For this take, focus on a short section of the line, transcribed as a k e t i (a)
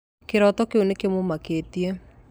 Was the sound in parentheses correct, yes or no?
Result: no